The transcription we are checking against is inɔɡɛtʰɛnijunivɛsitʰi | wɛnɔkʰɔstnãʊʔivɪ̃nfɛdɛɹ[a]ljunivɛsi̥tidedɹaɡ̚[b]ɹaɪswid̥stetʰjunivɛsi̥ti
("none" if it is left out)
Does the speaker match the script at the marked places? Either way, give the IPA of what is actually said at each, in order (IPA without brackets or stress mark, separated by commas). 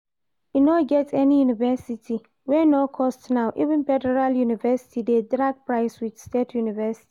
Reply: a, p